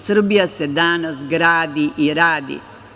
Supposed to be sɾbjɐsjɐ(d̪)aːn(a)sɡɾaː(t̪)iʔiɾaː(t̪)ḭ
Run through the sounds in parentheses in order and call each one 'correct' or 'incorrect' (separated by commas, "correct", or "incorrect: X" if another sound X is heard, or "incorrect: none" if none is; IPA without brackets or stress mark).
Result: correct, incorrect: ɐ, incorrect: d̪, incorrect: d̪